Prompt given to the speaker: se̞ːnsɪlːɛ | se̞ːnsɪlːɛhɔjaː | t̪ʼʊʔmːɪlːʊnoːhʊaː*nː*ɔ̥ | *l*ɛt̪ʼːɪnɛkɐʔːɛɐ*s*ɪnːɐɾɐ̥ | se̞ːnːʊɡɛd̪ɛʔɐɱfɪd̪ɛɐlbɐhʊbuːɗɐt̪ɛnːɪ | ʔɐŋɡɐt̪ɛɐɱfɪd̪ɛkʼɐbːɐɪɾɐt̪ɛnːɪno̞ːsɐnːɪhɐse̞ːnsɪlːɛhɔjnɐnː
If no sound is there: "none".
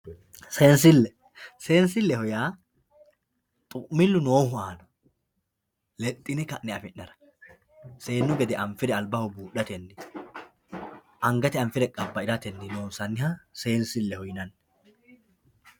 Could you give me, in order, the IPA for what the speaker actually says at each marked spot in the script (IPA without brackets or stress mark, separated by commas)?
n, l, f